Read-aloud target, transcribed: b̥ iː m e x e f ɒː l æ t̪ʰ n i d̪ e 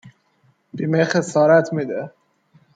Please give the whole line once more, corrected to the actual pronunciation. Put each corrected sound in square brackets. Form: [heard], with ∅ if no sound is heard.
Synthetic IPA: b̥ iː m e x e [s] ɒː [ɾ] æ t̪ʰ [m] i d̪ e